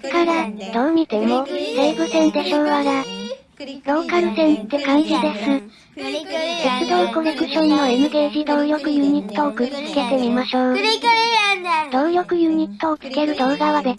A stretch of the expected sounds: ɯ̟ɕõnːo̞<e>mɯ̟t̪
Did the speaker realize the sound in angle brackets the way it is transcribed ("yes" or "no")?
yes